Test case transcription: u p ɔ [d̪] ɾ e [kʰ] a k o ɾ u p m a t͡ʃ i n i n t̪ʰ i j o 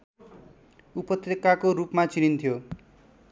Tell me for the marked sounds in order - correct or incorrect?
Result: incorrect: t̪, incorrect: k

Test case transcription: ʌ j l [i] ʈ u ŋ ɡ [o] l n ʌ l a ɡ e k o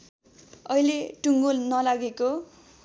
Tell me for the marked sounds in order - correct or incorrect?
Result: incorrect: e, correct

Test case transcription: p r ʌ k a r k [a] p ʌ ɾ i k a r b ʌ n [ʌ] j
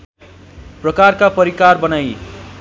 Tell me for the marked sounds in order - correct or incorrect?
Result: correct, incorrect: a

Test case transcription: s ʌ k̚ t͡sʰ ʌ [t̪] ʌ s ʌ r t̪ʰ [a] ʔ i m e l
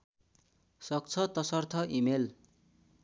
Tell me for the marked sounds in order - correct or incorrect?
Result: correct, incorrect: ʌ

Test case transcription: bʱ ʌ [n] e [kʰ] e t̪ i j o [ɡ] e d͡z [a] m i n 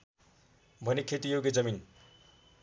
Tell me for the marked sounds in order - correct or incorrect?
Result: correct, correct, correct, incorrect: ʌ

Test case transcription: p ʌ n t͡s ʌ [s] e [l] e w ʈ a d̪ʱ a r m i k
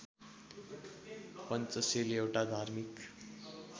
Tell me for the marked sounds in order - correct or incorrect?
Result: correct, correct

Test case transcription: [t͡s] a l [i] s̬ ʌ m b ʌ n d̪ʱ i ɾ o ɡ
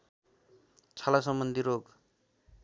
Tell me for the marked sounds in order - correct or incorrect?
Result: incorrect: t͡sʰ, incorrect: a

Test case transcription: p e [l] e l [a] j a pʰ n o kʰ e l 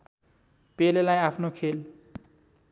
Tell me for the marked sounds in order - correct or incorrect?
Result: correct, correct

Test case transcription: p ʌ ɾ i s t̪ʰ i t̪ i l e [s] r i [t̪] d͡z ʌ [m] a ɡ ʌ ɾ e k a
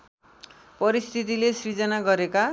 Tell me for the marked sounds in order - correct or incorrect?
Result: correct, incorrect: none, incorrect: n

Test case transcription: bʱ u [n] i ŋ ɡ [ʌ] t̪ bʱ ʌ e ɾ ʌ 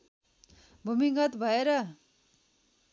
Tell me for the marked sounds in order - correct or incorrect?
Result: incorrect: m, correct

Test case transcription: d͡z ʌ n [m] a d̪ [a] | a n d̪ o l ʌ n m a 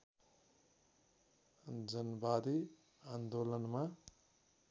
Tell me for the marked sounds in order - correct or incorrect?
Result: incorrect: b, incorrect: i

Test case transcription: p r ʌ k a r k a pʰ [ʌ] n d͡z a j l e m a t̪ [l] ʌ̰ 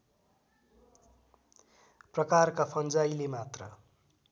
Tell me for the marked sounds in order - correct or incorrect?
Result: correct, incorrect: r

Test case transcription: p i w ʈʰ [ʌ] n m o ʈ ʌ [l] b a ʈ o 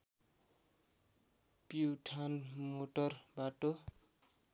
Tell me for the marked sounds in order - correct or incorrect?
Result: incorrect: a, incorrect: r

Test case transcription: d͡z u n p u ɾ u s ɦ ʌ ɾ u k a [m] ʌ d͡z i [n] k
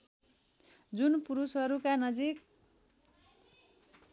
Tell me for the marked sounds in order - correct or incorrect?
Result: incorrect: n, incorrect: none

